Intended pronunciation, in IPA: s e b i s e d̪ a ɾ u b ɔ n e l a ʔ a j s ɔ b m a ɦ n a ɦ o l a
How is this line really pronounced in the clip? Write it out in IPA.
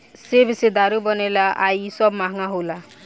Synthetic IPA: s e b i s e d̪ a ɾ u b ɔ n e l a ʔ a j s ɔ b m a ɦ ŋ a ɦ o l a